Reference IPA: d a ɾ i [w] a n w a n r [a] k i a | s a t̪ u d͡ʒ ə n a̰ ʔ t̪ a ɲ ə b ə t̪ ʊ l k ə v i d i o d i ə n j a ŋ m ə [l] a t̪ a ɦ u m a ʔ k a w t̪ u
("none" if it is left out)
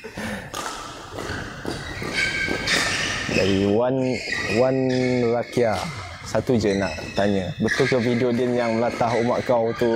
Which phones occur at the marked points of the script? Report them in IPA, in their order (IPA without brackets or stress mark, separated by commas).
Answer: w, a, l